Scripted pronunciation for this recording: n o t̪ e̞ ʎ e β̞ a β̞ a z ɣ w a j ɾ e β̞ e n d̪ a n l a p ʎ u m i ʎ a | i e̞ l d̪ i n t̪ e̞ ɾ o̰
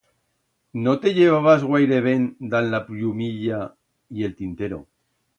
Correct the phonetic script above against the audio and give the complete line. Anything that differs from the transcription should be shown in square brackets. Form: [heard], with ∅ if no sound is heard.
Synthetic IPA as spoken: n o t̪ e̞ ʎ e β̞ a β̞ a z ɣ w a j ɾ e β̞ e n d̪ a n l a p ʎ u m i ʎ a | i e̞ l [t̪] i n t̪ e̞ ɾ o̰